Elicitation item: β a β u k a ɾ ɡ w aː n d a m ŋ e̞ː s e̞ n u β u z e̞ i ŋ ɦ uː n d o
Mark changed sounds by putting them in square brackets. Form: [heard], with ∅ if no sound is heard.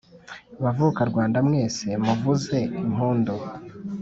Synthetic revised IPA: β a [v] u k a ɾ ɡ w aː n d a m ŋ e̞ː s e̞ [m] u [v] u z e̞ i [m] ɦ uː n d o